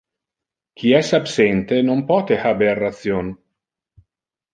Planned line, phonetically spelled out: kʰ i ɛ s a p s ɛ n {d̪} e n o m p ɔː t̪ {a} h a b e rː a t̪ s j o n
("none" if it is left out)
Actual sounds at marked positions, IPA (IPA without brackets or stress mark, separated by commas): t̪, e